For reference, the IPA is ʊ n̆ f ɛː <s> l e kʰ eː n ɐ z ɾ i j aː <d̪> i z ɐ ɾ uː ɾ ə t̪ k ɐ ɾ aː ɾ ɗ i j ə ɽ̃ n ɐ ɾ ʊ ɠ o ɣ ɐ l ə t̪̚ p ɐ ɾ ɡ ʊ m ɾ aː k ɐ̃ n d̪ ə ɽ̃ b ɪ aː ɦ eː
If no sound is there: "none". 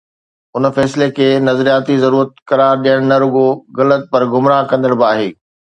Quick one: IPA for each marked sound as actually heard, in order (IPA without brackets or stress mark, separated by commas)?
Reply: s, t̪